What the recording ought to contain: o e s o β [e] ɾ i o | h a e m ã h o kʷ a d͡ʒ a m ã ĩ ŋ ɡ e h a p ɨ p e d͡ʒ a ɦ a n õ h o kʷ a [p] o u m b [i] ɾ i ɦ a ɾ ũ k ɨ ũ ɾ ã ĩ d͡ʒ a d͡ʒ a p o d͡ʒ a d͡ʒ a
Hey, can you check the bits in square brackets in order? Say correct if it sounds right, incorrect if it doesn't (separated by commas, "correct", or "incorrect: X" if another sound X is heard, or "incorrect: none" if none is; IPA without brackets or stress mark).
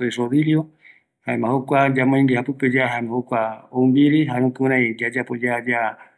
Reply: incorrect: i, incorrect: none, correct